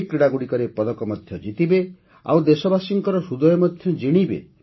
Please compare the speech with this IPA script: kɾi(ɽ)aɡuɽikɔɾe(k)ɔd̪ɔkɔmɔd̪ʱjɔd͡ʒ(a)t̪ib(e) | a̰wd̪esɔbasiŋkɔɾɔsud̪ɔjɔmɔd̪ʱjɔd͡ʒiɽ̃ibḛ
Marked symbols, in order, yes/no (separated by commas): yes, no, no, yes